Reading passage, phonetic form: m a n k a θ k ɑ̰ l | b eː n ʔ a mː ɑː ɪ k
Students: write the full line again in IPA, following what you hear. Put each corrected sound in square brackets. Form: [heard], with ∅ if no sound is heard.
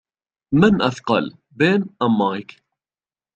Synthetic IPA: m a n [ʔ] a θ [q] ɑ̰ l | b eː n ʔ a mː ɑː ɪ k